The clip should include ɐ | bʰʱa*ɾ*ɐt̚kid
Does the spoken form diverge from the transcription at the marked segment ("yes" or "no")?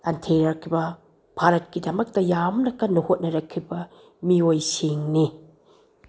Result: no